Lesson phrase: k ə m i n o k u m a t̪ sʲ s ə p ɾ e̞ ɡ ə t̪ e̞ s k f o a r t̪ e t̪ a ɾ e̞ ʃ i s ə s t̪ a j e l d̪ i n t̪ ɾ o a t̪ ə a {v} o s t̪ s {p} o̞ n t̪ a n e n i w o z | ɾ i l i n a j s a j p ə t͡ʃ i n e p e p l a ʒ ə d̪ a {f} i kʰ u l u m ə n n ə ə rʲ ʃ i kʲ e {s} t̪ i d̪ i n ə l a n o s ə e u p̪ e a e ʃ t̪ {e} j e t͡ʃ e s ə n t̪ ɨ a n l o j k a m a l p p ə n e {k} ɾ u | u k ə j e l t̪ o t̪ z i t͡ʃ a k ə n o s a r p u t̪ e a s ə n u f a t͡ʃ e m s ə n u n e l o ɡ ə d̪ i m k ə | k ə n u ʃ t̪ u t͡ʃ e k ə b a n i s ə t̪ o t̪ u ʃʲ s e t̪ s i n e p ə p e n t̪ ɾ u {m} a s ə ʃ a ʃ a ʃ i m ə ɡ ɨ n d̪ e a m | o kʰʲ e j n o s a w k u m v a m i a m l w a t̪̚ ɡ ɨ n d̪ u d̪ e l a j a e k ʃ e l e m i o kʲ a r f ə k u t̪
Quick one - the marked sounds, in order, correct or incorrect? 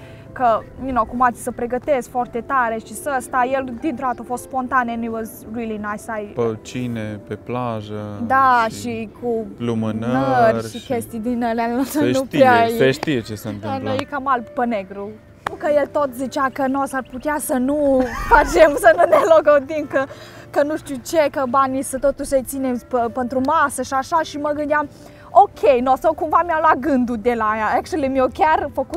incorrect: f, correct, incorrect: ʃ, correct, incorrect: i, incorrect: ɡ, correct

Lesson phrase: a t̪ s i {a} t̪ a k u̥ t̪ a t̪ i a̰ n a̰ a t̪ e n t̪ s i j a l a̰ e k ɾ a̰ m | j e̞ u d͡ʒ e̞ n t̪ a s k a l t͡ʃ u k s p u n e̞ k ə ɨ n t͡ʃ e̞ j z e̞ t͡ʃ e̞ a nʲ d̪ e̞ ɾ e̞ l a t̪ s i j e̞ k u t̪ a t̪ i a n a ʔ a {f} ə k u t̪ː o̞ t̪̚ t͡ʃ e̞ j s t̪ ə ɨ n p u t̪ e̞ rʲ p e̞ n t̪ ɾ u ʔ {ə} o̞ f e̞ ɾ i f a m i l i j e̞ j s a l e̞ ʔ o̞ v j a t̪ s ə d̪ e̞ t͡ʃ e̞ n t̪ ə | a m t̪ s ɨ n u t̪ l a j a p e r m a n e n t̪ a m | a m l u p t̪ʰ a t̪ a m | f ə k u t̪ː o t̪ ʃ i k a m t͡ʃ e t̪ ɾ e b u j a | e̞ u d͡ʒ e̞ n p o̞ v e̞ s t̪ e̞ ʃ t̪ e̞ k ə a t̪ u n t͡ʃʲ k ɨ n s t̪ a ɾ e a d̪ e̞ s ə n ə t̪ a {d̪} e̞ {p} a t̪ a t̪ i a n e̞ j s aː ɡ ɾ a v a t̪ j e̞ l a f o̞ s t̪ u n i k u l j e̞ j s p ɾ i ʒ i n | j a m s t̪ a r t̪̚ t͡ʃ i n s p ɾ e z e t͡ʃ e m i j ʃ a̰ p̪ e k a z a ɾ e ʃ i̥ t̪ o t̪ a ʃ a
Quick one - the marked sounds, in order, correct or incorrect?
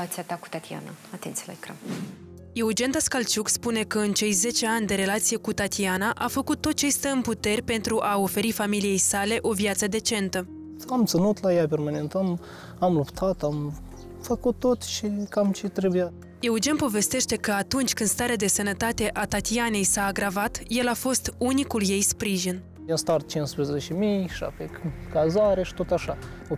correct, correct, incorrect: a, incorrect: t̪, incorrect: ʔ

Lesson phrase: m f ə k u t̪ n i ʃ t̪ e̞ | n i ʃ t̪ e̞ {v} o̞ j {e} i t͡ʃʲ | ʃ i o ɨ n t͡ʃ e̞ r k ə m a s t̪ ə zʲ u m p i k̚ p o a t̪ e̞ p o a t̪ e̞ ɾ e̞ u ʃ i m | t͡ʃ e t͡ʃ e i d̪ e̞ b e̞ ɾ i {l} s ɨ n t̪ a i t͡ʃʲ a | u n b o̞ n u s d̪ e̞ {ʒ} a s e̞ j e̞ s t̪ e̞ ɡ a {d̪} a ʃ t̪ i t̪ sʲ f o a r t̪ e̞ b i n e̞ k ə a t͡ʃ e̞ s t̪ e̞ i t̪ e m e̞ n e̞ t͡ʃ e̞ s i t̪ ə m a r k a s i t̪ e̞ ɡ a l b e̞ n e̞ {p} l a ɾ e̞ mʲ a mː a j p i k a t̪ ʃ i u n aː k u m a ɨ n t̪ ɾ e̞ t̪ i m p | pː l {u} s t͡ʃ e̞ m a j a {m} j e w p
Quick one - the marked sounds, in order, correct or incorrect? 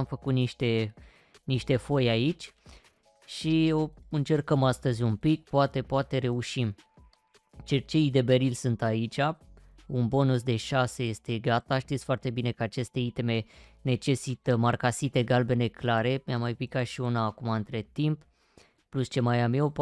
incorrect: f, incorrect: a, correct, incorrect: ʃ, incorrect: t̪, incorrect: k, correct, correct

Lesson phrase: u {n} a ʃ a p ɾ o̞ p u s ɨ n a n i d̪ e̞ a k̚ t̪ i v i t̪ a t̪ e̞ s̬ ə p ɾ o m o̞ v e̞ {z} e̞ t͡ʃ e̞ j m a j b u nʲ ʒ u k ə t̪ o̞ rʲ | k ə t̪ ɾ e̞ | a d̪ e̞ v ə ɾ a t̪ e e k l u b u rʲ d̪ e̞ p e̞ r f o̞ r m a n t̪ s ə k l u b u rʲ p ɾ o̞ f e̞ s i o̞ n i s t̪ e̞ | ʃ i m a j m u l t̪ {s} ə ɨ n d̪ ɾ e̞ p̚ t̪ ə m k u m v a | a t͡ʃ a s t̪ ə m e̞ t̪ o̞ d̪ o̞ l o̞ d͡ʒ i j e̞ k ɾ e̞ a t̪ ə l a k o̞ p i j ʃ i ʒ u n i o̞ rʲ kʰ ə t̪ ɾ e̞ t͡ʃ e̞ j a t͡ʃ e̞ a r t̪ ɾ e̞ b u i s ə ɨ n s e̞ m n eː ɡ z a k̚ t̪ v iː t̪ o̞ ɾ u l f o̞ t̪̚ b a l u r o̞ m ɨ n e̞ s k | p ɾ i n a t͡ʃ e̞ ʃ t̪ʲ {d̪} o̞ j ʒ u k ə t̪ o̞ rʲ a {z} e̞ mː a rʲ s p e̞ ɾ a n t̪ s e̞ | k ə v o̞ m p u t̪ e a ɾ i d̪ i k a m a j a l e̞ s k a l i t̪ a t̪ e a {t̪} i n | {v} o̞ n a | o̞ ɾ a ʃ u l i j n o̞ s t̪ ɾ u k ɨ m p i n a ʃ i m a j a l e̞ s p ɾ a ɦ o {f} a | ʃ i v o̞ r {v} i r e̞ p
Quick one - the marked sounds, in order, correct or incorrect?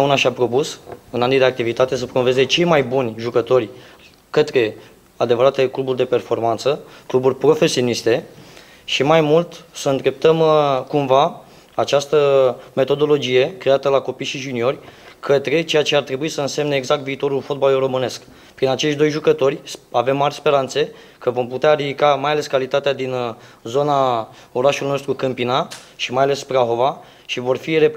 correct, correct, correct, correct, incorrect: v, incorrect: d̪, incorrect: z, incorrect: v, incorrect: f

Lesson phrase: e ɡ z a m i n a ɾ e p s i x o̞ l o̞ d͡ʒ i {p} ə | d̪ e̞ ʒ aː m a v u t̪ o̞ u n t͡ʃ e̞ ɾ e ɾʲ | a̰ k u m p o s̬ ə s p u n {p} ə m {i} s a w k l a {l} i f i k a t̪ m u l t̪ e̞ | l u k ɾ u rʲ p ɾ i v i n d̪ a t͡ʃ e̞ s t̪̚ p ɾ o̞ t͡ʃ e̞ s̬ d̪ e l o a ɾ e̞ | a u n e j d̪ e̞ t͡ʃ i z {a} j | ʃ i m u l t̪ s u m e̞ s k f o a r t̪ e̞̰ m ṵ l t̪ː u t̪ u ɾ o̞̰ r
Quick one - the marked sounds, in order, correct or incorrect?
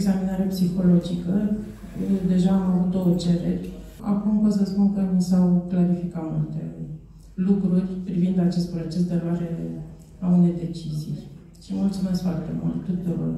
incorrect: k, incorrect: k, correct, incorrect: ɾ, incorrect: i

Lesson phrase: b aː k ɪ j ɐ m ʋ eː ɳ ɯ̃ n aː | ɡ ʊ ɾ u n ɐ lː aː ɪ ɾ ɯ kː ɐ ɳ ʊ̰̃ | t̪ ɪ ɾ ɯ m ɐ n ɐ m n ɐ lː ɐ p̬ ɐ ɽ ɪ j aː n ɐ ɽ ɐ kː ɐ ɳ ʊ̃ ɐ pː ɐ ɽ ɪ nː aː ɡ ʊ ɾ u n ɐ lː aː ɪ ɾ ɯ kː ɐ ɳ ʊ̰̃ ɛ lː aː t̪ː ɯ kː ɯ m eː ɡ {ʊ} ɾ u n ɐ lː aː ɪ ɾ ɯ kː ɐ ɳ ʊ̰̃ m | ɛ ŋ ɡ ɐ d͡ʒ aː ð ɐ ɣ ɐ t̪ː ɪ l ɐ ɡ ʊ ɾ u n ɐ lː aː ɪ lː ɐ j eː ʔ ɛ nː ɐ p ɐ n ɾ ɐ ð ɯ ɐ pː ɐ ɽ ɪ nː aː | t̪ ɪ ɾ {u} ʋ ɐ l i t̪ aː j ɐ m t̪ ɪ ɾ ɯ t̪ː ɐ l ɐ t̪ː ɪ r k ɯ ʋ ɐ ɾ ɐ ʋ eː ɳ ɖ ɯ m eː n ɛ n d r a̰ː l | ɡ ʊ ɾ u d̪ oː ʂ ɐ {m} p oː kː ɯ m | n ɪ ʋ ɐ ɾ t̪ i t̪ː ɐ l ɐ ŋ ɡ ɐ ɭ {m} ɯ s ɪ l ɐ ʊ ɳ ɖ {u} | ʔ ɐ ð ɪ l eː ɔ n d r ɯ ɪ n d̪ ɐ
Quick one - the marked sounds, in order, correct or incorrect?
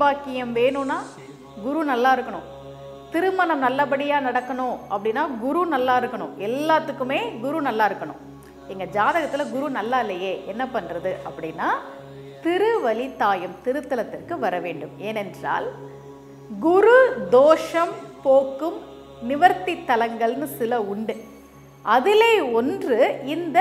correct, incorrect: ɯ, correct, incorrect: n, incorrect: ɯ

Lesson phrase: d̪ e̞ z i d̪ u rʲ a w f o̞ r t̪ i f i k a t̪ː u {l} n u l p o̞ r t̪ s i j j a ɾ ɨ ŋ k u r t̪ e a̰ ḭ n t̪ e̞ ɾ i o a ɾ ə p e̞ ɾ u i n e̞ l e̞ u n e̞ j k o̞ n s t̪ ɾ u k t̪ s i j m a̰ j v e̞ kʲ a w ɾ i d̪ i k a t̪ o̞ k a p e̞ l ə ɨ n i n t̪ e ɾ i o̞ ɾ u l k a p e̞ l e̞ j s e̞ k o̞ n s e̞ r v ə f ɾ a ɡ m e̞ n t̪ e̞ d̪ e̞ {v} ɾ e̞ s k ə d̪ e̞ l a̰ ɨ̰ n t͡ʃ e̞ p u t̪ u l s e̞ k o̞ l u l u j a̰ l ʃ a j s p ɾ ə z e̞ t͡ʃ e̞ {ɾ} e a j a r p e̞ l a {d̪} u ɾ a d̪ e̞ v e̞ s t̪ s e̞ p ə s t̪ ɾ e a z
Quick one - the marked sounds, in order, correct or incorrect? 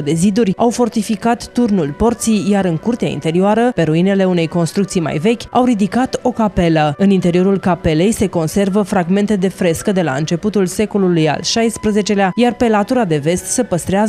incorrect: r, incorrect: f, incorrect: l, incorrect: t̪

